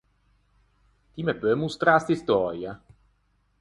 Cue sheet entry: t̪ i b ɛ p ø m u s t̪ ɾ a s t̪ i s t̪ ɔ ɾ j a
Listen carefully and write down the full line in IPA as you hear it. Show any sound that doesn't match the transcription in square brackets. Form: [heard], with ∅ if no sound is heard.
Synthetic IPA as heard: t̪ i [m] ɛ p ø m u s t̪ ɾ a s t̪ i s t̪ ɔ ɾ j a